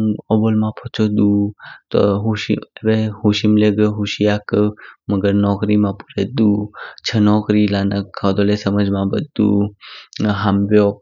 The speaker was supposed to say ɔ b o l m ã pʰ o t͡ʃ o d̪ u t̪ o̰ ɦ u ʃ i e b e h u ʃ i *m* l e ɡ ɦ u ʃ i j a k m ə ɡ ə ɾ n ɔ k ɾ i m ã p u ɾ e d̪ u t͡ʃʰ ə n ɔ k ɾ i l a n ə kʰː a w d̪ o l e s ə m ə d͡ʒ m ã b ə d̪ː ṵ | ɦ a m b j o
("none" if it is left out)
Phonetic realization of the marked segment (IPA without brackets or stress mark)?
m